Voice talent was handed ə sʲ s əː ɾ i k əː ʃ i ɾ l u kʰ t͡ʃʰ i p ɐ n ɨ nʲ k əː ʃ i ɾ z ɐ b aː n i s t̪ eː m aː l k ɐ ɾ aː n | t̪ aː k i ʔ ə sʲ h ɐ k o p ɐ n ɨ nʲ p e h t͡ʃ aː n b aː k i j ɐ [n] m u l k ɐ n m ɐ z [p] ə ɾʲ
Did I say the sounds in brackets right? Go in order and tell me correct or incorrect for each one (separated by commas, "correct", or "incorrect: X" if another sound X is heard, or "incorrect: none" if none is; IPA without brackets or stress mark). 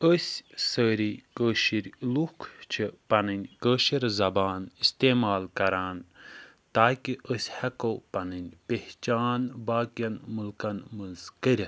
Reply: correct, incorrect: k